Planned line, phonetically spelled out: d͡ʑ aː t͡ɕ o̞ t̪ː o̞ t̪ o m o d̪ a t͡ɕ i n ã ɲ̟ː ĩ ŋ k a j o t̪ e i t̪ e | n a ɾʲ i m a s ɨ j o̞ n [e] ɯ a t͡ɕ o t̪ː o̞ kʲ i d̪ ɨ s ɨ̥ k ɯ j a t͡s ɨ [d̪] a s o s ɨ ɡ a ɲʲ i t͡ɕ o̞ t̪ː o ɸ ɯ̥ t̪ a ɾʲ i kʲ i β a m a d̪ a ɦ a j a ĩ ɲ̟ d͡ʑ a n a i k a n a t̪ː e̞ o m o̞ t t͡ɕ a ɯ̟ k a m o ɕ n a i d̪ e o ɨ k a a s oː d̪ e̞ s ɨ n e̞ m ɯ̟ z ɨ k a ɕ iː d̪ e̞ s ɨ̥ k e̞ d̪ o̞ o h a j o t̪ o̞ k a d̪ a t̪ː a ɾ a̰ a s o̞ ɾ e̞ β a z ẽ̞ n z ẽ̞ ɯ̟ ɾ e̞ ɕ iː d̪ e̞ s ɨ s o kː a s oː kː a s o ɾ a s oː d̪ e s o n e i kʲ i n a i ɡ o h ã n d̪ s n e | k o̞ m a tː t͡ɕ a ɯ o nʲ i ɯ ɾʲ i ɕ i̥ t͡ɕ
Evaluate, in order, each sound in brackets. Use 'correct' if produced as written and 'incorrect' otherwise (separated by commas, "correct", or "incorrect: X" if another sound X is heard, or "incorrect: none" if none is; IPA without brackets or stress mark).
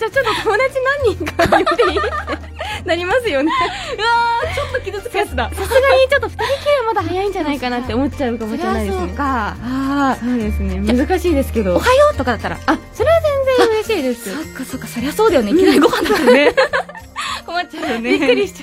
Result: correct, correct